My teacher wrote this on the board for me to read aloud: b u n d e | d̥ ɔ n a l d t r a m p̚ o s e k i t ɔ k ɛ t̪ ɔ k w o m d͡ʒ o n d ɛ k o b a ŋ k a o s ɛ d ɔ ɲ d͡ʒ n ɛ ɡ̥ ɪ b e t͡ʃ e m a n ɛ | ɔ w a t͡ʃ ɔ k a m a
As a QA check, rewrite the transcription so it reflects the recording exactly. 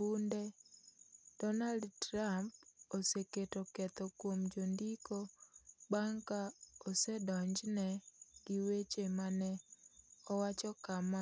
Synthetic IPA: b u n d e | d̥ ɔ n a l d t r a m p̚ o s e k e t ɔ k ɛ t̪ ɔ k w o m d͡ʒ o n d i k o b a ŋ k a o s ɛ d ɔ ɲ d͡ʒ n ɛ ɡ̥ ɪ w e t͡ʃ e m a n ɛ | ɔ w a t͡ʃ ɔ k a m a